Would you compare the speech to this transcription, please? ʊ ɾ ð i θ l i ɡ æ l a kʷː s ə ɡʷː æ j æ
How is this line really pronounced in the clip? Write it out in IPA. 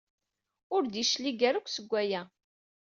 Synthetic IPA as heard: ʊ ɾ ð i ʃ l i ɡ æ ɾ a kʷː s ə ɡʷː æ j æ

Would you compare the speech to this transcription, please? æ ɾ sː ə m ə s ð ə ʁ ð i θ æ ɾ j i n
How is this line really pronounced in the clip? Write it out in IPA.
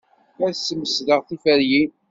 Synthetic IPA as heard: æ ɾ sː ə m ə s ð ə ʁ θ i f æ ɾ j i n

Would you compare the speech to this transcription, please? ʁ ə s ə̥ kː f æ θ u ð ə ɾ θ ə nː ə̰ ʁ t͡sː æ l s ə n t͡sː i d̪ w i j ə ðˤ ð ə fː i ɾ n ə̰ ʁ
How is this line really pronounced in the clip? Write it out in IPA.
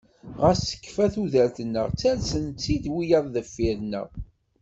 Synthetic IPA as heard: ʁ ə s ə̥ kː f æ θ u ð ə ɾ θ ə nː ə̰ ʁ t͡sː æ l s ə n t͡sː i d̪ w i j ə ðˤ ð ə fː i ɾ n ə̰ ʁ

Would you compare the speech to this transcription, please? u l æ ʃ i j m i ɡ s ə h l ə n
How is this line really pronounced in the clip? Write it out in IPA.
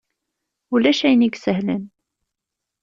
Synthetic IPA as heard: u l æ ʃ æ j n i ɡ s ə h l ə n

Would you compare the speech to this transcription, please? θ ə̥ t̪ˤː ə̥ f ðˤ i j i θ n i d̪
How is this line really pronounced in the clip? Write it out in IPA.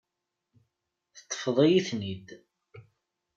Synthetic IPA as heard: θ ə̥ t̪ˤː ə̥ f ðˤ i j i θ n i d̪

